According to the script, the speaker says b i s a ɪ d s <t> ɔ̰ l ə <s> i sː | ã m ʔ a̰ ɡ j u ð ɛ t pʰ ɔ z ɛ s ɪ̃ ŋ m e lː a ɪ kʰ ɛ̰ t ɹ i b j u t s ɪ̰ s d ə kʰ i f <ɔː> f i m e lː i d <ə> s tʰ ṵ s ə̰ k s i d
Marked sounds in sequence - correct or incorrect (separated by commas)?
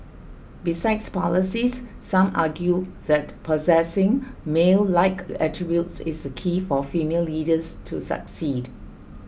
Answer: incorrect, correct, incorrect, correct